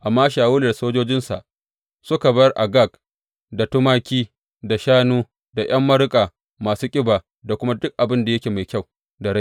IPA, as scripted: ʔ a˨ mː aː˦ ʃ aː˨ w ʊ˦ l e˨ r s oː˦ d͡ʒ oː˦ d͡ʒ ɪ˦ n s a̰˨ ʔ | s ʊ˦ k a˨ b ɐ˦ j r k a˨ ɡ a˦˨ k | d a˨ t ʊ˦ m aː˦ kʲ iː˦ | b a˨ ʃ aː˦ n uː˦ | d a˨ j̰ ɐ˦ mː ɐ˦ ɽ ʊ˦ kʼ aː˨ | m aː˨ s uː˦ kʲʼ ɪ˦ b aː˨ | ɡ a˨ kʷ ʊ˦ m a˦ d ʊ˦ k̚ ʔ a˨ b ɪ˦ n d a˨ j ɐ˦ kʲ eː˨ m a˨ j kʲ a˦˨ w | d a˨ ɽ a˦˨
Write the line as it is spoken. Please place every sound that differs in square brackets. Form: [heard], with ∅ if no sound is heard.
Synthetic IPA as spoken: ʔ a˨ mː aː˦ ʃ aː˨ w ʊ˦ l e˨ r s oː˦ d͡ʒ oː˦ d͡ʒ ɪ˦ n s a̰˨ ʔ | s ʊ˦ k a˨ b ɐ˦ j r [ʔ] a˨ ɡ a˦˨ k | d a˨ t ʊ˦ m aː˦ kʲ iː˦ | [d] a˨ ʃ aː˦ n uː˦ | d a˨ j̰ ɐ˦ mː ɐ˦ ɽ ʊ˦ kʼ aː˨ | m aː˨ s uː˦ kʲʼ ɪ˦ b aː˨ | [d] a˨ kʷ ʊ˦ m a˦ d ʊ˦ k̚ ʔ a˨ b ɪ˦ n d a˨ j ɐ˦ kʲ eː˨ m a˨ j kʲ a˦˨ w | d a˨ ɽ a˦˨

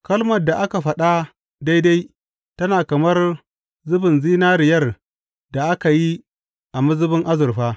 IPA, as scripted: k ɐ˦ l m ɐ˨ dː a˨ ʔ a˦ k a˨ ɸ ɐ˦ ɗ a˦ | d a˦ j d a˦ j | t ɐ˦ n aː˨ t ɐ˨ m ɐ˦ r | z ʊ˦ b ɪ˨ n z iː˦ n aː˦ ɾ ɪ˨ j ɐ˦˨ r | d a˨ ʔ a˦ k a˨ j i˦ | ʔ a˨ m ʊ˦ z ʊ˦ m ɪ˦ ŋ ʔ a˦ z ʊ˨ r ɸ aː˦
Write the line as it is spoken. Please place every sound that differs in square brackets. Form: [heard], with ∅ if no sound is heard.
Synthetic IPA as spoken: k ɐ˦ l m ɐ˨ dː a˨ ʔ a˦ k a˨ ɸ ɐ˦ ɗ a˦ | d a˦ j d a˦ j | t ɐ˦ n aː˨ [k] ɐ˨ m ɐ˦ r | z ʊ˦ b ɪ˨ n z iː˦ n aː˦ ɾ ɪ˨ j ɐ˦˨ r | d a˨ ʔ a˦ k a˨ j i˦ | ʔ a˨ m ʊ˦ z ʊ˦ [b] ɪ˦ ŋ ʔ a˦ z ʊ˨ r ɸ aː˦

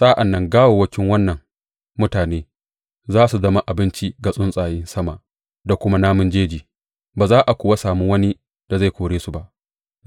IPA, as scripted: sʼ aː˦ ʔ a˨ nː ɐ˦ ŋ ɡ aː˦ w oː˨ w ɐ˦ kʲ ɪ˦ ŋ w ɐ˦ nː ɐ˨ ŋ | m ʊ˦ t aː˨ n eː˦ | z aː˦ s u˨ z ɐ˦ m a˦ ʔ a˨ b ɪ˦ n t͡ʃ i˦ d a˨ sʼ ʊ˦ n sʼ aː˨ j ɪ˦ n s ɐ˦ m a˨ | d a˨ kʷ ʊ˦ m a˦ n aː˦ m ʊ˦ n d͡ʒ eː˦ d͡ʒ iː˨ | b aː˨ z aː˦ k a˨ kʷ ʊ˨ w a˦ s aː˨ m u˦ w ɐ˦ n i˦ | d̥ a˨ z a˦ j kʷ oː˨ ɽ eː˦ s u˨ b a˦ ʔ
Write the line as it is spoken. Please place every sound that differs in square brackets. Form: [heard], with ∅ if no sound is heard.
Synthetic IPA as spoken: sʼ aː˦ ʔ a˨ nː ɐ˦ ŋ ɡ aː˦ w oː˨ w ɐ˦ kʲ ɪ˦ ŋ w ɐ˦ nː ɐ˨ ŋ | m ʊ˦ t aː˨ n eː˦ | z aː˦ s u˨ z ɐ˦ m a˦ ʔ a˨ b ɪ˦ n t͡ʃ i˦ [ɡ] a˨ sʼ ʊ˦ n sʼ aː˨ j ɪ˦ n s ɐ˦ m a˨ | d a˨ kʷ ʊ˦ m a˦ n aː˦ m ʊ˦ n d͡ʒ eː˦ d͡ʒ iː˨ | b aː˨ z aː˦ [ʔ] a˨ kʷ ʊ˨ w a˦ s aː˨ m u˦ w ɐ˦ n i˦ | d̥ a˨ z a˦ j kʷ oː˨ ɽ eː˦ s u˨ b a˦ ʔ

